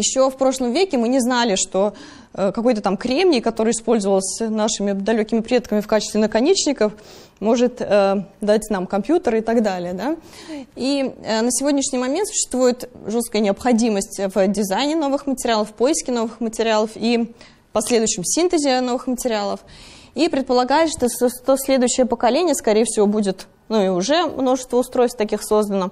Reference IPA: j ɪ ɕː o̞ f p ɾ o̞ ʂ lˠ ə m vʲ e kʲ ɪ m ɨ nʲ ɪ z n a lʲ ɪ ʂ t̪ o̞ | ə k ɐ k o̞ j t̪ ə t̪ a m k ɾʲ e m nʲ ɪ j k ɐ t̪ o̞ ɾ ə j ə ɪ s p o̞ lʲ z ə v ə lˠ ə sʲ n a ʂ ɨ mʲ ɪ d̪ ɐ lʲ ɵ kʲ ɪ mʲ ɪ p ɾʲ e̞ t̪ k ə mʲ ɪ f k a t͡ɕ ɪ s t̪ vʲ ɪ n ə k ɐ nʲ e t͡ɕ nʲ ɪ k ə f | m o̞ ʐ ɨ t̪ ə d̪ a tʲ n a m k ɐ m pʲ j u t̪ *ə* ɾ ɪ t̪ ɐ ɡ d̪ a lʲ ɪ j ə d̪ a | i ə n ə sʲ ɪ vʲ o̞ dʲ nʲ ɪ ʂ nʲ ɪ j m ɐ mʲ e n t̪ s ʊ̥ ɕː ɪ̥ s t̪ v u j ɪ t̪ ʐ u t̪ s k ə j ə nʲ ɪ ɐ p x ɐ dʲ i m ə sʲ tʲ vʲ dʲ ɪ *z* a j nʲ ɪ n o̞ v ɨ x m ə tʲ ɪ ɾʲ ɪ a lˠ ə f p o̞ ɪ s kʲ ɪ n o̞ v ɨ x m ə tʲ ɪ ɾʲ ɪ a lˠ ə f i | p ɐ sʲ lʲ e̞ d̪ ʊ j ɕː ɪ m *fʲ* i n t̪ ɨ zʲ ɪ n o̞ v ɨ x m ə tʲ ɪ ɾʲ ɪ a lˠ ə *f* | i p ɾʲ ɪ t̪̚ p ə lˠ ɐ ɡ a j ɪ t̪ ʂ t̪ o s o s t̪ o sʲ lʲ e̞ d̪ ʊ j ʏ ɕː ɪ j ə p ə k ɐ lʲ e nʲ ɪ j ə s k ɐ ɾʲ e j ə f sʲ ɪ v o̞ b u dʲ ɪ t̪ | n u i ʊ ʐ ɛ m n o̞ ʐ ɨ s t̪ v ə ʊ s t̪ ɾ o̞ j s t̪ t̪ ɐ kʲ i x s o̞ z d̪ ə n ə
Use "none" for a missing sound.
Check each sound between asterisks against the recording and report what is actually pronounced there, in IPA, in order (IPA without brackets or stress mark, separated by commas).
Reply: ə, z, sʲ, f